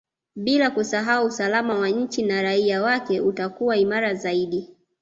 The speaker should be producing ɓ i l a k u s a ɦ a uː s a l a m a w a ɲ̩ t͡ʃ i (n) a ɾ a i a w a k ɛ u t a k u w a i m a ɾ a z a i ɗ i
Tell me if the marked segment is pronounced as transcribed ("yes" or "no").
yes